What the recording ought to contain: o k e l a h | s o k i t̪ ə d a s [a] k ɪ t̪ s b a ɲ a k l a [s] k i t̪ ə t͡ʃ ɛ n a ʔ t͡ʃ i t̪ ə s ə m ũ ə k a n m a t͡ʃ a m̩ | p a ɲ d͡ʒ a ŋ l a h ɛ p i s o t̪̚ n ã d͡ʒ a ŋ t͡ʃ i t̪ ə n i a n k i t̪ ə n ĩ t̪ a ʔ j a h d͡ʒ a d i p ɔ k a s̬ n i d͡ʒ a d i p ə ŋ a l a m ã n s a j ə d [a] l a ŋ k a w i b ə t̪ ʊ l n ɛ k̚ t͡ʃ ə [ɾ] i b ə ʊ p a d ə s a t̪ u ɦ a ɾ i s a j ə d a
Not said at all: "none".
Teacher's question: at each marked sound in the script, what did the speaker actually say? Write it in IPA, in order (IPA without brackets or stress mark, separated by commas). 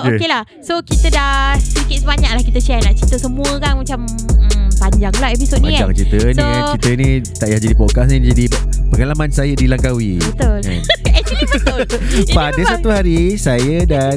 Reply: i, h, i, l